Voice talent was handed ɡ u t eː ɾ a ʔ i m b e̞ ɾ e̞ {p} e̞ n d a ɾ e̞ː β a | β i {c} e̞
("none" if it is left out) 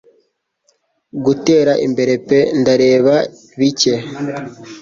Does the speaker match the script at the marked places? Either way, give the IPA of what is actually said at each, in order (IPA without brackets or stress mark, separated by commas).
p, c